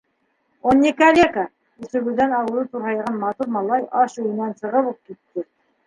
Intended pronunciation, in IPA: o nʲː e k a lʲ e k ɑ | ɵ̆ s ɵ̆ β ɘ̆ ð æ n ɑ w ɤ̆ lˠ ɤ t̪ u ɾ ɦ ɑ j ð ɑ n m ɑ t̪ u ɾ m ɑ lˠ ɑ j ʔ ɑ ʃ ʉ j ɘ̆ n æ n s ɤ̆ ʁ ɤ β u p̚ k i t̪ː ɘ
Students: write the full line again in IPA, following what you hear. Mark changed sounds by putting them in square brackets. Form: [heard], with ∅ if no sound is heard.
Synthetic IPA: o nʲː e k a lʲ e k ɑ | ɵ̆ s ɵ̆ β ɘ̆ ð æ n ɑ w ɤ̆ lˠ ɤ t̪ u ɾ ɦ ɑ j [ʁ] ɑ n m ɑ t̪ u ɾ m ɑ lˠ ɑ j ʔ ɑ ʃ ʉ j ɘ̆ n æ n s ɤ̆ ʁ ɤ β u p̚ k i t̪ː ɘ